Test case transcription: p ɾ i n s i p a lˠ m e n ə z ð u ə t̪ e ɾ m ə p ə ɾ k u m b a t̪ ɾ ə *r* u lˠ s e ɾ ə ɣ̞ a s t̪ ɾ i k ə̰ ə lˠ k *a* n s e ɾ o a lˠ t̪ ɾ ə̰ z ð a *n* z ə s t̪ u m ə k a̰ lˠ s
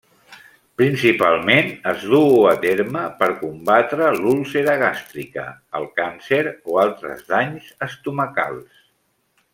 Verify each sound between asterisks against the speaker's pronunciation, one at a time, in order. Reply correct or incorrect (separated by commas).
incorrect, correct, incorrect